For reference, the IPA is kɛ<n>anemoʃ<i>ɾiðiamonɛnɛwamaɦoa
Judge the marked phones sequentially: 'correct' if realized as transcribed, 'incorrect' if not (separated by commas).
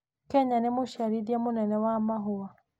incorrect, incorrect